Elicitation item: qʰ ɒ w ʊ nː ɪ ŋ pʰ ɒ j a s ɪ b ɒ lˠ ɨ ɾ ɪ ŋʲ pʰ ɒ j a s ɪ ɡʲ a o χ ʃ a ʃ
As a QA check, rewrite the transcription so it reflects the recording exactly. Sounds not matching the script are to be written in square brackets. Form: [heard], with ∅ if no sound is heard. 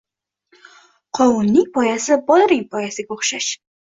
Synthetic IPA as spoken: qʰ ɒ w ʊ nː ɪ ŋ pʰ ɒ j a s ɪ b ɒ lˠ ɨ ɾ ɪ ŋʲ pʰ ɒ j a s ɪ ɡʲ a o χ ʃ a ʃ